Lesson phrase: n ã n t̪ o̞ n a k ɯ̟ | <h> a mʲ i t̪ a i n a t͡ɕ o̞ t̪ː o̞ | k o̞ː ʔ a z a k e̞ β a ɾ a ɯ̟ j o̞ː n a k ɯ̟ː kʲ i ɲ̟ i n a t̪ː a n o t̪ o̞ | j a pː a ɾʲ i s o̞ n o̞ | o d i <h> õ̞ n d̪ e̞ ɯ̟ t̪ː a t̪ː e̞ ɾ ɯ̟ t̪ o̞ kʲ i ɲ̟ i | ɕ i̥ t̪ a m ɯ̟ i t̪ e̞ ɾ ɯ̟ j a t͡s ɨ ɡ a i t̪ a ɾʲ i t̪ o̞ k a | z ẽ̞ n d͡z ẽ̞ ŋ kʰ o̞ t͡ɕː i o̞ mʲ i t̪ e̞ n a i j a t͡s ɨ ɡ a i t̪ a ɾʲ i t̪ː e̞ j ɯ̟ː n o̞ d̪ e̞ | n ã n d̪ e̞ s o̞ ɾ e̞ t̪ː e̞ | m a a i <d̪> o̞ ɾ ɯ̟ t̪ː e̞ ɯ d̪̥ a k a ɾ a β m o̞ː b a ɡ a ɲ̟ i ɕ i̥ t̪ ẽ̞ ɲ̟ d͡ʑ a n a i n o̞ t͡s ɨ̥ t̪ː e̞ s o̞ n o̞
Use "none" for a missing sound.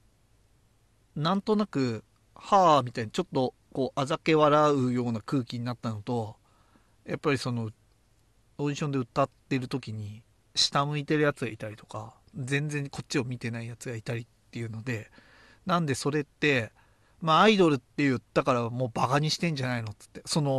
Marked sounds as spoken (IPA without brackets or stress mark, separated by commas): h, ɕ, d̪